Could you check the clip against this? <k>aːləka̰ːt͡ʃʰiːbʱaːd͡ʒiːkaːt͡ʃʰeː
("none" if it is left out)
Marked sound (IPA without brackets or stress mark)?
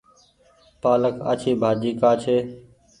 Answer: p